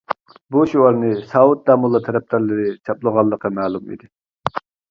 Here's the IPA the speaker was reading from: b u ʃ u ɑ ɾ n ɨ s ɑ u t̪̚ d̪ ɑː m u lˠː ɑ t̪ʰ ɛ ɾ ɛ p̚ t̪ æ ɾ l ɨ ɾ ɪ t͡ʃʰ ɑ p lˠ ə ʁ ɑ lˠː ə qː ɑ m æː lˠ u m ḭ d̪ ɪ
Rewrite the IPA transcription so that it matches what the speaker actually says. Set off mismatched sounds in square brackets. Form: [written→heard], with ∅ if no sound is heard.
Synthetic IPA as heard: b u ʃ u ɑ ɾ n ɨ s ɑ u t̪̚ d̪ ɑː m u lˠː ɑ t̪ʰ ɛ ɾ ɛ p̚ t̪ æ ɾ l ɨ ɾ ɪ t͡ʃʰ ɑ p lˠ ə ʁ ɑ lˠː ə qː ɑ m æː lˠ u m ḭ d̪ ɪ